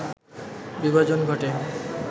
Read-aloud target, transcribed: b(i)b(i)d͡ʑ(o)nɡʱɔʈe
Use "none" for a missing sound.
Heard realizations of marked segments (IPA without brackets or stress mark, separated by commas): i, a, o